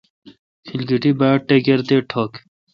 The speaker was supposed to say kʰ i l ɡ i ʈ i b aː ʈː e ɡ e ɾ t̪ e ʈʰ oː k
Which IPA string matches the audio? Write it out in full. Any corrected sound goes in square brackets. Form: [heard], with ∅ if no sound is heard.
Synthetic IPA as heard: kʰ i l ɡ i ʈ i b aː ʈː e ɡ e ɾ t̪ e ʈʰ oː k